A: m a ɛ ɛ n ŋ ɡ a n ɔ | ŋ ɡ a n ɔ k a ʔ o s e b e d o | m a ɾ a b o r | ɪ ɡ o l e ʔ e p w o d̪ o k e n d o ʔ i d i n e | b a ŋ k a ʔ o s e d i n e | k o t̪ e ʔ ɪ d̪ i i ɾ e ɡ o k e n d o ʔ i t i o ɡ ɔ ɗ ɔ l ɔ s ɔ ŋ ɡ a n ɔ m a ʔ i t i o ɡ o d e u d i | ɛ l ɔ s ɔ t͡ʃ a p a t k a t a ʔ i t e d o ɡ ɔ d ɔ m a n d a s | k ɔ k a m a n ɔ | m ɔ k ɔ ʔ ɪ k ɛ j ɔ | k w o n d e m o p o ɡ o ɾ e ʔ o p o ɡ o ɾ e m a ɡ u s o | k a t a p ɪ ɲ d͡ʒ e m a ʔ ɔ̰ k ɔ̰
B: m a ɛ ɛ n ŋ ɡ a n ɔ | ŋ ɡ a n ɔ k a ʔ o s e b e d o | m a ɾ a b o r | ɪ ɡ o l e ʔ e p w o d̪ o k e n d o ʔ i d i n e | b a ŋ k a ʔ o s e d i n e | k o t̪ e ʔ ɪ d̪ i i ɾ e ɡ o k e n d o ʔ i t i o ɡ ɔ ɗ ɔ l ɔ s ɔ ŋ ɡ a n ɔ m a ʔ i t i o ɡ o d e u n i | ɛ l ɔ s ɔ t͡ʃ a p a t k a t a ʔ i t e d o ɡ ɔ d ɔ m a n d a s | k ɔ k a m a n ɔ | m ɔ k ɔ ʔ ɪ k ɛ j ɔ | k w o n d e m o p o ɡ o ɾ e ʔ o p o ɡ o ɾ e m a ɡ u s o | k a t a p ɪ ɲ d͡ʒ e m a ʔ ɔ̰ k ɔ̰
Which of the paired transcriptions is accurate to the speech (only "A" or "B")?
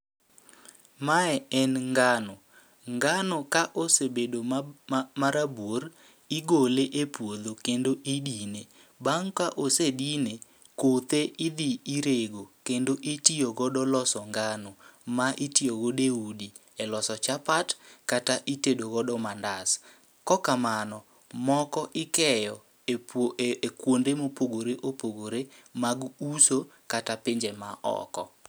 A